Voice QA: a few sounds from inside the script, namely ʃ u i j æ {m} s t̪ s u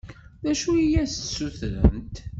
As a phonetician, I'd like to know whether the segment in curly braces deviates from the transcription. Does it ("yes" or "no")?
yes